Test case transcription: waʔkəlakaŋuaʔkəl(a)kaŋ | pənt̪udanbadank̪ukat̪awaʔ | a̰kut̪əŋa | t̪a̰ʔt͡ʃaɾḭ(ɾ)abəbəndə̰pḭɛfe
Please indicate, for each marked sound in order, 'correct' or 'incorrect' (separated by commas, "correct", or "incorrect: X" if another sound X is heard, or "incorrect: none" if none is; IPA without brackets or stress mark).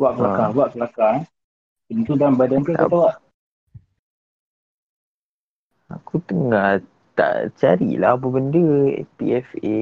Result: correct, incorrect: l